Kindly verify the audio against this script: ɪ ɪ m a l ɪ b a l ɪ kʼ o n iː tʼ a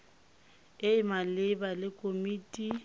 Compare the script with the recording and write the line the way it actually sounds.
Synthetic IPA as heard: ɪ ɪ m a l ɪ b a l ɪ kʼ o m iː tʼ i